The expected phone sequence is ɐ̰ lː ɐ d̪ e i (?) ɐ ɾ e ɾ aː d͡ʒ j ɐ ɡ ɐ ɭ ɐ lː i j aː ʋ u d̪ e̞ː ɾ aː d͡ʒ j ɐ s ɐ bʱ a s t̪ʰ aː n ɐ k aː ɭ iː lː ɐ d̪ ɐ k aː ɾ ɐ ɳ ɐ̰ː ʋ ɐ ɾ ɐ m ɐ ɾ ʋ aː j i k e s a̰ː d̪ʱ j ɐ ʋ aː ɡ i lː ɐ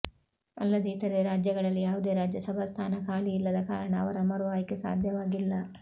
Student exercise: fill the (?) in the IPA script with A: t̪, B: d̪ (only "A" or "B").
A